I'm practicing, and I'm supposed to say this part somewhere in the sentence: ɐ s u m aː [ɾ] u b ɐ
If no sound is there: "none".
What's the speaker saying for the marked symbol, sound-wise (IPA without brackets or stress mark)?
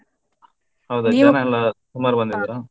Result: ɾ